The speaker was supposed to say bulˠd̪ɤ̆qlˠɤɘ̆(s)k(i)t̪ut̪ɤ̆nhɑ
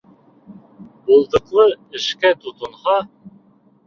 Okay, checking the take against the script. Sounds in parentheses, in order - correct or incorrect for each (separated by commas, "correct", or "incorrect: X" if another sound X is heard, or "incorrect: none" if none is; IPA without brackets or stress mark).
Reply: incorrect: ʃ, incorrect: æ